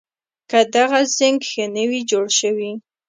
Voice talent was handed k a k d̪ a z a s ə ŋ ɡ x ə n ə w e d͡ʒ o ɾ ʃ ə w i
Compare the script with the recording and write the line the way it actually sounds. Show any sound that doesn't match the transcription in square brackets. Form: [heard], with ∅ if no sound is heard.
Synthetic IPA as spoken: k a [∅] d̪ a [ɣ] a [z] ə ŋ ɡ x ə n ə w [i] d͡ʒ o [ɽ] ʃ ə w i

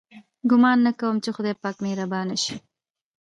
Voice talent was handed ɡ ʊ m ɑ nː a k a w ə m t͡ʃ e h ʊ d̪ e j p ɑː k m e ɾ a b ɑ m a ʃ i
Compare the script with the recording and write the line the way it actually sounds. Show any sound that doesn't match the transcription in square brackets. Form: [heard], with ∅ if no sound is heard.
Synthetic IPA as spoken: ɡ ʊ m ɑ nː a k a w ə m t͡ʃ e [x] ʊ d̪ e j p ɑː k m e ɾ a b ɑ [n] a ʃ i

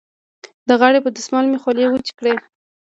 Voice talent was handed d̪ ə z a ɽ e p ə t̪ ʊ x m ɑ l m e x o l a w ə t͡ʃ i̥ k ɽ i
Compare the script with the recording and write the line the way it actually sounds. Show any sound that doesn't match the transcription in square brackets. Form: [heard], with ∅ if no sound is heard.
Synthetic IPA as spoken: d̪ ə [ɣ] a ɽ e p ə [d̪] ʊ [s] m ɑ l m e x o l [e] w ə t͡ʃ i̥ k ɽ [e]

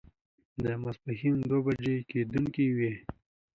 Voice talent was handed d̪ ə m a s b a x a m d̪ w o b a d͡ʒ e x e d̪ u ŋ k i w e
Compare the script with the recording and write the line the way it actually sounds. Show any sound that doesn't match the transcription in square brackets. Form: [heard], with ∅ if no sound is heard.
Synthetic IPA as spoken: d̪ ə m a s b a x [i] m d̪ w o b a d͡ʒ e [k] e d̪ u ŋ k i w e

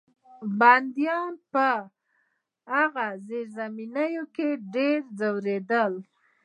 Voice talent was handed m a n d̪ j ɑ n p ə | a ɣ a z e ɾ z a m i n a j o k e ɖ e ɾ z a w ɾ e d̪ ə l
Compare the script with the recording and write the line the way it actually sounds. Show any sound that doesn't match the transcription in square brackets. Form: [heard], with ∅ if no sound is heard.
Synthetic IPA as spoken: [b] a n d̪ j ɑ n p ə | a ɣ a z e ɾ z a m i n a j o k e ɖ e ɾ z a w ɾ e d̪ ə l

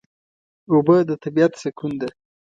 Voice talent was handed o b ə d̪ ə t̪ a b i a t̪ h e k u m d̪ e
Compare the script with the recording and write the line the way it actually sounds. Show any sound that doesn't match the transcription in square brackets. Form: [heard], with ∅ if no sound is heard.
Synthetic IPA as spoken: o b ə d̪ ə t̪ a b i a t̪ [s] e k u [n] d̪ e

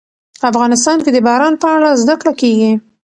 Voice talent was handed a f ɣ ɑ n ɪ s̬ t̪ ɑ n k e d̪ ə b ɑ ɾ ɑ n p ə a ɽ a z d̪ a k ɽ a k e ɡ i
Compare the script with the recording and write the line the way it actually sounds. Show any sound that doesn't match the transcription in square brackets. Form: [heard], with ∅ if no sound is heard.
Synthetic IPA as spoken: a f ɣ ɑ n ɪ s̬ t̪ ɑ n k e d̪ ə b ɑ ɾ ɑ n p ə a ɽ a z d̪ a k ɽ a k e ɡ i

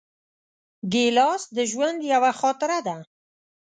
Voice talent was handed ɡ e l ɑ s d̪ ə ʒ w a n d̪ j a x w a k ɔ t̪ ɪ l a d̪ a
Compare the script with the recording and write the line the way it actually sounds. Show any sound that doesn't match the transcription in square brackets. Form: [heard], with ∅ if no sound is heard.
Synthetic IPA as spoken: ɡ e l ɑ s d̪ ə ʒ w a n d̪ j a [∅] w a [x] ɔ t̪ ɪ [ɾ] a d̪ a

